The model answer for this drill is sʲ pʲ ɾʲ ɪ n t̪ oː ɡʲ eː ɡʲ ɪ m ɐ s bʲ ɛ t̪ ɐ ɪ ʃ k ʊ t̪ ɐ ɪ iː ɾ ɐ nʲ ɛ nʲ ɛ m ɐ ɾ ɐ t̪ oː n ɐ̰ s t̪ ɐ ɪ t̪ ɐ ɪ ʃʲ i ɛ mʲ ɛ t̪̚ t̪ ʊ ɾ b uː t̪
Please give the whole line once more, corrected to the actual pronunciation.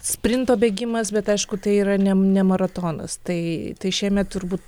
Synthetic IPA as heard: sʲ pʲ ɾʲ ɪ n t̪ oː bʲ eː ɡʲ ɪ m ɐ s bʲ ɛ t̪ ɐ ɪ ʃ k ʊ t̪ ɐ ɪ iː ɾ ɐ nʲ ɛ nʲ ɛ m ɐ ɾ ɐ t̪ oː n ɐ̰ s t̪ ɐ ɪ t̪ ɐ ɪ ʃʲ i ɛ mʲ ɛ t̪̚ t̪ ʊ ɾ b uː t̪